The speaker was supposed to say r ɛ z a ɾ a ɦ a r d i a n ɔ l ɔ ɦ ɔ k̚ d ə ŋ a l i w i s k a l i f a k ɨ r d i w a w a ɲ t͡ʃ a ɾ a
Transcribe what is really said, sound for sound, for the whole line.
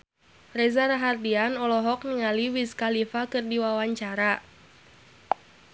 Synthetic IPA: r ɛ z a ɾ a ɦ a r d i a n ɔ l ɔ ɦ ɔ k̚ n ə ŋ a l i w i s k a l i f a k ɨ r d i w a w a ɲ t͡ʃ a ɾ a

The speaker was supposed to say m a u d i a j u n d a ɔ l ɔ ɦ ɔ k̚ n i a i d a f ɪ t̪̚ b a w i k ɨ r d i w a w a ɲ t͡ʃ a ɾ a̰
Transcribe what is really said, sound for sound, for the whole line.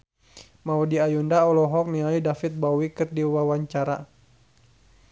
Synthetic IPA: m a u d i a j u n d a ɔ l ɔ ɦ ɔ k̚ n i a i d a f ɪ t̪̚ b a w i k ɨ r d i w a w a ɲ t͡ʃ a ɾ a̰

